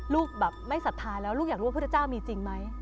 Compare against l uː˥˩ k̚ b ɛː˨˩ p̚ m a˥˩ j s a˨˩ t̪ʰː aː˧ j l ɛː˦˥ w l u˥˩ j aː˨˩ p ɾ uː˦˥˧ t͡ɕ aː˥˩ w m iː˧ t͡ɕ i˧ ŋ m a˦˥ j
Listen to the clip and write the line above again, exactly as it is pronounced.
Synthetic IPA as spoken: l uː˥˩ k̚ b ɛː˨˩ p̚ m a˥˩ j s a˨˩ t̪ʰː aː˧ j l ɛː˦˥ w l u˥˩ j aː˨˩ k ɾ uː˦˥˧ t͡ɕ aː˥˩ w m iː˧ t͡ɕ i˧ ŋ m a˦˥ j